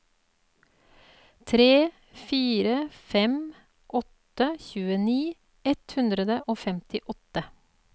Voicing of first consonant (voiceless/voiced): voiceless